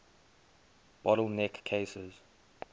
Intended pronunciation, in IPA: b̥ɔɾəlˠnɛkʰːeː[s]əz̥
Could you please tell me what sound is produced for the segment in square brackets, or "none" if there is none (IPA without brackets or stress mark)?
s